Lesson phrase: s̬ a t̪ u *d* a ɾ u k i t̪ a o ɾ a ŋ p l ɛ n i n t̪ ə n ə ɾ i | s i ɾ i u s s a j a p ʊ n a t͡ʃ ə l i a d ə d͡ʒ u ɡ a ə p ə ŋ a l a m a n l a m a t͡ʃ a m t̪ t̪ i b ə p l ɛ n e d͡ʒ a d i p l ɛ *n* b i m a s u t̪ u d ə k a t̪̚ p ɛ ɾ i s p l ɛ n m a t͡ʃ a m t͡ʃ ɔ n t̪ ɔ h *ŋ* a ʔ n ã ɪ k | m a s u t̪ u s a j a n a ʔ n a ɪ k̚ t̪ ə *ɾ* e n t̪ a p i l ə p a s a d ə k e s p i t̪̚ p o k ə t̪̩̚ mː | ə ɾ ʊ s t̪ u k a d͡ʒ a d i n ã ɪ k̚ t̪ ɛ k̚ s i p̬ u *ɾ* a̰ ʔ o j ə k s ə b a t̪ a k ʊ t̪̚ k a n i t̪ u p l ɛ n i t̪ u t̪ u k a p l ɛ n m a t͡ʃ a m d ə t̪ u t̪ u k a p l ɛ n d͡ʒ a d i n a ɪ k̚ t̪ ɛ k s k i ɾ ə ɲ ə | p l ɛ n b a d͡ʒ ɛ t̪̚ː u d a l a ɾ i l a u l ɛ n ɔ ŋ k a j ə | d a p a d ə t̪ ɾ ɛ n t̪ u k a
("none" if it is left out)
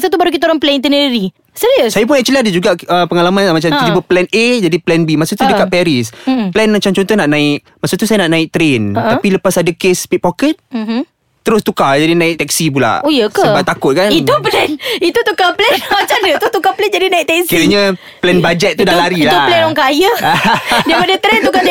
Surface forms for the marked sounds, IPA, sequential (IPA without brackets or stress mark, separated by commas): b, n, n, ɾ, l